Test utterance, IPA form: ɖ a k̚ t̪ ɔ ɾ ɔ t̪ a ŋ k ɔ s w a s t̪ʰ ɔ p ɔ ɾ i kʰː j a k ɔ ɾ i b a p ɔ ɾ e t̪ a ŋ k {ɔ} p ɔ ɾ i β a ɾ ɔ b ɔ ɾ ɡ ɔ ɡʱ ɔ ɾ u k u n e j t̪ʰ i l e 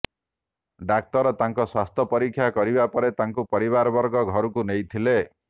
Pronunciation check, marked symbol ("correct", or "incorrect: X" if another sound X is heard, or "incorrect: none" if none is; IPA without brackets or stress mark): incorrect: u